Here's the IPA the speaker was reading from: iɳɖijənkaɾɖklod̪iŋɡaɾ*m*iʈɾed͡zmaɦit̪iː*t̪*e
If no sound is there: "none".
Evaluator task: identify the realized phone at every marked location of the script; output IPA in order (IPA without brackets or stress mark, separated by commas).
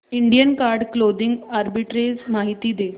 b, d̪